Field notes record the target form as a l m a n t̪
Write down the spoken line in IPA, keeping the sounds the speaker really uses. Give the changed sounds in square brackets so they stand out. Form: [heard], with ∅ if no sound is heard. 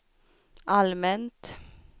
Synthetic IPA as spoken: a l m [ɛ] n t̪